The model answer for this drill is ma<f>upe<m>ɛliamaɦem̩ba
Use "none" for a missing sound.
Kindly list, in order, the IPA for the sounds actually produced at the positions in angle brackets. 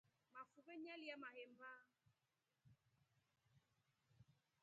f, ɲ

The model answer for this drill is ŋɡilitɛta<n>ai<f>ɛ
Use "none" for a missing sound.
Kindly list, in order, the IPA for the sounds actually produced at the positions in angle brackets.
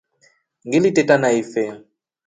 n, f

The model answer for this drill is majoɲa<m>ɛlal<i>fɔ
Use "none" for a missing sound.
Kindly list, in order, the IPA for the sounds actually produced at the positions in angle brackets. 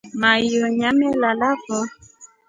m, a

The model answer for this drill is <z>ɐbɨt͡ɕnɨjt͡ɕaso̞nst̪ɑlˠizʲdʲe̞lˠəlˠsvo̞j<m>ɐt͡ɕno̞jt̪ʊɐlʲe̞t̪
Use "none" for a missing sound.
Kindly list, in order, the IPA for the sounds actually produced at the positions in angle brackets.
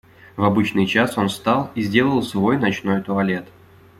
v, n

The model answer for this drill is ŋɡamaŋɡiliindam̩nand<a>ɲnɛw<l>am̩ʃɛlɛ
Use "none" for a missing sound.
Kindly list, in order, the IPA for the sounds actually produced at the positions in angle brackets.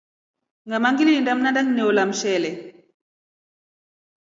a, l

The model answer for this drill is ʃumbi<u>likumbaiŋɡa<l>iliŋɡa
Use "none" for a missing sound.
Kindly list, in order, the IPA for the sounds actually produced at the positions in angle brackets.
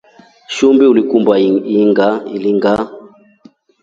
u, none

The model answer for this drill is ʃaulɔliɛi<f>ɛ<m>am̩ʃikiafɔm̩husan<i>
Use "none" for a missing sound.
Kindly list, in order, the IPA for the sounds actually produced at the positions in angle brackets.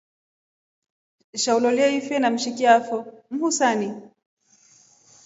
f, n, i

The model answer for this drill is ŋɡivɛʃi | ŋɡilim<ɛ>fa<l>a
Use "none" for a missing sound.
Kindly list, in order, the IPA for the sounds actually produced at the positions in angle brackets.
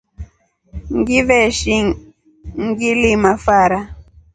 a, ɾ

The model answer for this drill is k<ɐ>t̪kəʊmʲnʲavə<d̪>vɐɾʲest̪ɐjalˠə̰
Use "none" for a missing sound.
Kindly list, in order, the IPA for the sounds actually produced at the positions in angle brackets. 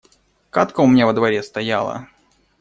a, d̪

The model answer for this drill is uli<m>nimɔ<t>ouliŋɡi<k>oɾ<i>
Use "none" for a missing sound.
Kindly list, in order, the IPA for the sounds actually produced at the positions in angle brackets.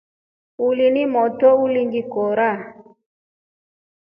none, t, k, a

